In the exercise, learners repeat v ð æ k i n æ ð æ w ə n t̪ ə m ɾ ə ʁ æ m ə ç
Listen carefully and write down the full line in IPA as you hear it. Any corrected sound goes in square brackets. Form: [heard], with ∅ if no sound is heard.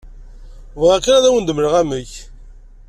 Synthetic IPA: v [ʁ] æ k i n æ ð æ w ə n [d̪] ə m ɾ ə ʁ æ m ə ç

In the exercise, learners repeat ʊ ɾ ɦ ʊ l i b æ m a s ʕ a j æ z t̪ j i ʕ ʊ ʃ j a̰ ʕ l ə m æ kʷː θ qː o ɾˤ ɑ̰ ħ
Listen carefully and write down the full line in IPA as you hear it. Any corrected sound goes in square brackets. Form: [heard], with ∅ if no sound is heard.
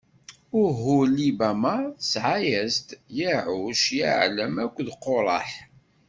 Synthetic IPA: ʊ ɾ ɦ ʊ l i b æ m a s ʕ a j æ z t̪ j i ʕ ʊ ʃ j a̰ ʕ l ə m æ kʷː [ð] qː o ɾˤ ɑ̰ ħ

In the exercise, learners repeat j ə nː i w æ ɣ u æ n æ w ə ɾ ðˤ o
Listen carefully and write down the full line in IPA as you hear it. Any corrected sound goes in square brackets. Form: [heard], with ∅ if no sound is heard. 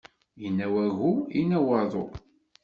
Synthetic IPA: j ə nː [æ] w æ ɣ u [i] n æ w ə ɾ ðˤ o

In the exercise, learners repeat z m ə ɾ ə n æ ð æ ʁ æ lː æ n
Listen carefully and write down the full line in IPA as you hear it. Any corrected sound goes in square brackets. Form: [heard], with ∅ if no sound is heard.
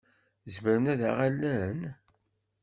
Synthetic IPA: z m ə ɾ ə n æ ð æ ʁ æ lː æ n

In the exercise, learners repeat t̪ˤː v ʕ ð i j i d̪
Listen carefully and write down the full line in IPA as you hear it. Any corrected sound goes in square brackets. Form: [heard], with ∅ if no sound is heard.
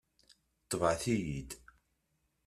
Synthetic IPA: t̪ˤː v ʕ [θ] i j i d̪

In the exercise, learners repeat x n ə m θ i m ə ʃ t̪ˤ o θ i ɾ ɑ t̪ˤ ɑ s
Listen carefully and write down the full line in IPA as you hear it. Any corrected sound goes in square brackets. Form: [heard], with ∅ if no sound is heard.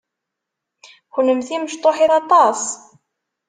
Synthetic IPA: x n ə m θ i m ə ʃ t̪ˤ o [ħ] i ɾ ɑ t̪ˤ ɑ s

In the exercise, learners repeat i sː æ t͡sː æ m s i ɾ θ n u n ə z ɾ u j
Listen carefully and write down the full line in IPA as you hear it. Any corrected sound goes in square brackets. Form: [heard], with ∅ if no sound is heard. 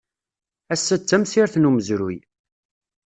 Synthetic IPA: [æ] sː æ t͡sː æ m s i ɾ θ n u [m] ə z ɾ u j

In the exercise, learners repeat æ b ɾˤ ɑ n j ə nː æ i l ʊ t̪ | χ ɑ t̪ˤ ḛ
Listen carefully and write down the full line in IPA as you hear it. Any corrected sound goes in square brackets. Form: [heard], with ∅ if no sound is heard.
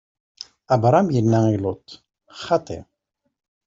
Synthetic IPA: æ b ɾˤ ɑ [m] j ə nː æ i l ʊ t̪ | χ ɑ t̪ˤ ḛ

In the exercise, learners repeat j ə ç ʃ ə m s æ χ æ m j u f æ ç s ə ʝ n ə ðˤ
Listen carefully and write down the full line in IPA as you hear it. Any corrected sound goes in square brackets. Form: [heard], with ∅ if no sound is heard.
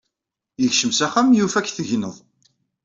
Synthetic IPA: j ə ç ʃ ə m s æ χ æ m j u f æ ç [θ] ə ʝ n ə ðˤ

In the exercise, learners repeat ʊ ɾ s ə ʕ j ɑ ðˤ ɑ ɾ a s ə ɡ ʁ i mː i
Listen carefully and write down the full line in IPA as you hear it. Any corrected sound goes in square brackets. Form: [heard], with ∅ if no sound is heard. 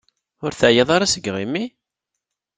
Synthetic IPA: ʊ ɾ [θ] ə ʕ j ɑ ðˤ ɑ ɾ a s ə ɡ ʁ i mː i

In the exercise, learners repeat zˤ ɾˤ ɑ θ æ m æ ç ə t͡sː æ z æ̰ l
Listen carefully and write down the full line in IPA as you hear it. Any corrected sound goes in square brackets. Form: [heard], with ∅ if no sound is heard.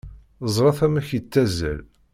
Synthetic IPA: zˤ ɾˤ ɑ θ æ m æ ç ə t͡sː æ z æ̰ l

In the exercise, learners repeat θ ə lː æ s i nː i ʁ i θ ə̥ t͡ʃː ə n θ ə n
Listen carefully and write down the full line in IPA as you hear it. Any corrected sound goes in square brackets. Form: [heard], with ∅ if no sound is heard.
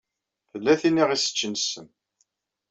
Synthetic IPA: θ ə lː æ [θ] i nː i ʁ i [s] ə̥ t͡ʃː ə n [s] ə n

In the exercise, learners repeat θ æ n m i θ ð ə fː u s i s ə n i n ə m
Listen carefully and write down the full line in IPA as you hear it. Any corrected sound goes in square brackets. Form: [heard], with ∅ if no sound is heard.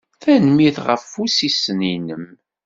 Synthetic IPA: θ æ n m i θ [ʁ] ə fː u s i s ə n i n ə m

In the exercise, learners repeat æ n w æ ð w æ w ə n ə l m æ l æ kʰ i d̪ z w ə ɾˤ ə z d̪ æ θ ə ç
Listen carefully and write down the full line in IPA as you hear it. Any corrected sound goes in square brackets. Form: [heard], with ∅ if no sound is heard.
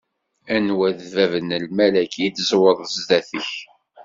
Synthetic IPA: æ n w æ ð [v] æ [v] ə n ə l m æ l æ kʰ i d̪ z w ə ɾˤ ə z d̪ æ θ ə ç

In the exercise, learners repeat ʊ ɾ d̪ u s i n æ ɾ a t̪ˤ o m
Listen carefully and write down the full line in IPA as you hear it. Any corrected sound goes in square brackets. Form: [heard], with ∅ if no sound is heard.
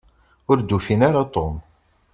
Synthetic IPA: ʊ ɾ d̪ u [f] i n [a] ɾ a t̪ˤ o m

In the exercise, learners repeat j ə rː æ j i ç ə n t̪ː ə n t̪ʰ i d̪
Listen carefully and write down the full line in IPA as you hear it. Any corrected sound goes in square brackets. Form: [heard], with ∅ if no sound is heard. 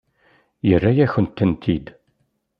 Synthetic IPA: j ə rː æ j [æ] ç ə n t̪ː ə n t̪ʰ i d̪

